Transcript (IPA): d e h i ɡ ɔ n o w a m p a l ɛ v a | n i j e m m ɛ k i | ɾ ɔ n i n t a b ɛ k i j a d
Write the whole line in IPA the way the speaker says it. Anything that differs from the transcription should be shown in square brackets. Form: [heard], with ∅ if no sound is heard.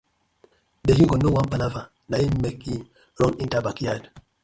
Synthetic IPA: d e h i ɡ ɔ n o w a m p a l [a] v a | n [a] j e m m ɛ k i | ɾ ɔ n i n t a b [a] k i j a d